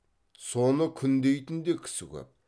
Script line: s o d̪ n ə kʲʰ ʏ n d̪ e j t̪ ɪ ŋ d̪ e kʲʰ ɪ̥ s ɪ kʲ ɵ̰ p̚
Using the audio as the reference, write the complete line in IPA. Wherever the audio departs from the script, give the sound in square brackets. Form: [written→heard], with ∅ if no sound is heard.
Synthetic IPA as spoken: s o [d̪→∅] n ə kʲʰ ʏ n d̪ e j t̪ ɪ [ŋ→n] d̪ e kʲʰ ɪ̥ s ɪ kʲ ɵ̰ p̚